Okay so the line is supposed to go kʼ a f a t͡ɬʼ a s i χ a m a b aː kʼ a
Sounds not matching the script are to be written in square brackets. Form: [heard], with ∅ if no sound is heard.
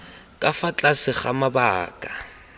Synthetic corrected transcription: kʼ a f a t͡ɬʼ a s [ɪ] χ a m a b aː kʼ a